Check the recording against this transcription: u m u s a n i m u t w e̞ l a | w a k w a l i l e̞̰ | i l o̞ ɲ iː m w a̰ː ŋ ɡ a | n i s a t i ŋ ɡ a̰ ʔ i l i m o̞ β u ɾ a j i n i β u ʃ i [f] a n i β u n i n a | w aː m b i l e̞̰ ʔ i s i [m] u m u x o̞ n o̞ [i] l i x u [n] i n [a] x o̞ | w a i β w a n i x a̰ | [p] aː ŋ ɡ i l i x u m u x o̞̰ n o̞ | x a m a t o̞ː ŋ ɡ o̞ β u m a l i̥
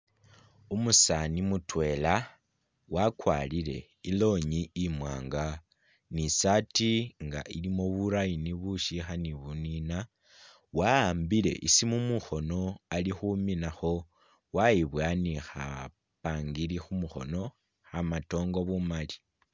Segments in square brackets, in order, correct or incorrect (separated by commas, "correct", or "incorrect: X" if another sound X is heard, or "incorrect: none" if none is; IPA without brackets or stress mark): incorrect: x, correct, incorrect: a, incorrect: m, correct, correct